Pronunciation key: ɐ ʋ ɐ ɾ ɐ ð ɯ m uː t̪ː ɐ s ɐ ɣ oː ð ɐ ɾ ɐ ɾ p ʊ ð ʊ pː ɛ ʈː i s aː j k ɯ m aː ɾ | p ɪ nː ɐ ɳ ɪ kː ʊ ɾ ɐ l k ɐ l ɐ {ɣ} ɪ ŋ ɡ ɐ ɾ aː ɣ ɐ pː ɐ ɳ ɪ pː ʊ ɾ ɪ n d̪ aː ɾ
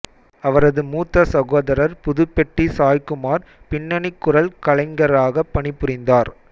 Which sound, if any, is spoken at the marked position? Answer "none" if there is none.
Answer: none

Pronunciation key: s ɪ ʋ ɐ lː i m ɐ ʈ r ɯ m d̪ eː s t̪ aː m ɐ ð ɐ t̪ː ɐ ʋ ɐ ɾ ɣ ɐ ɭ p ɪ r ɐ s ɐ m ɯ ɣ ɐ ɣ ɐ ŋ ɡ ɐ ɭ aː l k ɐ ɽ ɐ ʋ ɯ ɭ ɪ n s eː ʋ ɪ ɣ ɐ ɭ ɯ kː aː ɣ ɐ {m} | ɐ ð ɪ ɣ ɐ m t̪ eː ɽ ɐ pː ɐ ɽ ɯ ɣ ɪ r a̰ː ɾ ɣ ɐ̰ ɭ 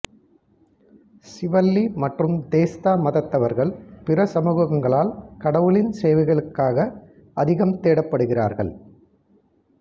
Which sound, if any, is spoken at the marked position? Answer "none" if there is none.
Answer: none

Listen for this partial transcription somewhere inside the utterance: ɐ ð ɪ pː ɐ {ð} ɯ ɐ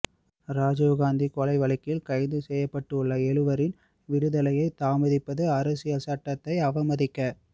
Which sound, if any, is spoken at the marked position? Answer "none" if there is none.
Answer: ð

